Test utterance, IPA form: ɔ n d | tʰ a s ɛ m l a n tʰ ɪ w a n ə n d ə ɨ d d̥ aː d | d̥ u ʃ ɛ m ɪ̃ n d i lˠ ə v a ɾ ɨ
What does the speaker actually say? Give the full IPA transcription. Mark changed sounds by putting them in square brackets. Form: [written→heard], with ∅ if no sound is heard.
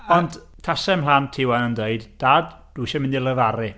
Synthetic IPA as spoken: ɔ n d | tʰ a s ɛ m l a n tʰ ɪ w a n ə n d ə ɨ d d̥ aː d | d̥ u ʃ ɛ m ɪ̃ n d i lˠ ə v a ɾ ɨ